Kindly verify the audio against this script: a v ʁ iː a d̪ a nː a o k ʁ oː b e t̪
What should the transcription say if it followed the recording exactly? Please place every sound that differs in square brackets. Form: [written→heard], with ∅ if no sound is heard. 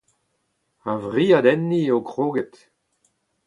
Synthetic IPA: a v ʁ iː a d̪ [a→ɛ] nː [a→i] o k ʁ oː [b→ɡ] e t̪